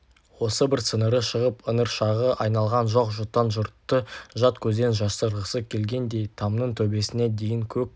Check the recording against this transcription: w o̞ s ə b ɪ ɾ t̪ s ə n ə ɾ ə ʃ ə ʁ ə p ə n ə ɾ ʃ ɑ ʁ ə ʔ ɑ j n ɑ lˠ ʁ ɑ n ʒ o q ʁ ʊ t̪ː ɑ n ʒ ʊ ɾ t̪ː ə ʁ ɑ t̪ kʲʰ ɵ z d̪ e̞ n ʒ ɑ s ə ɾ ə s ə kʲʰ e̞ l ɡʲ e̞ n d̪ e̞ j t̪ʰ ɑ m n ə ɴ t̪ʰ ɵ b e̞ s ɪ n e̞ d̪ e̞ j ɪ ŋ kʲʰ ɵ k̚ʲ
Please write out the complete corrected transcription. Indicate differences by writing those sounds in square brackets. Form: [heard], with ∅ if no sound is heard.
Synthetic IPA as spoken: w o̞ s ə b ɪ ɾ t̪ s ə n ə ɾ ə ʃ ə ʁ ə p ə n ə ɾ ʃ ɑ ʁ ə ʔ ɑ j n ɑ lˠ ʁ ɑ n ʒ o q [ʒ] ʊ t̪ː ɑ n ʒ ʊ ɾ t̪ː ə [ʒ] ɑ t̪ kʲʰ ɵ z d̪ e̞ n ʒ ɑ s ə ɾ ə s ə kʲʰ e̞ l ɡʲ e̞ n d̪ e̞ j t̪ʰ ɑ m n ə ɴ t̪ʰ ɵ b e̞ s ɪ n e̞ d̪ e̞ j ɪ ŋ kʲʰ ɵ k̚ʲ